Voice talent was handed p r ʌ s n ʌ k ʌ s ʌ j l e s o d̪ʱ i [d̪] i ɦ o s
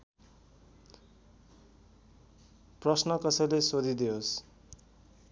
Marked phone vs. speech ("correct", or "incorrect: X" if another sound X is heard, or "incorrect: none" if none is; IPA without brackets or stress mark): correct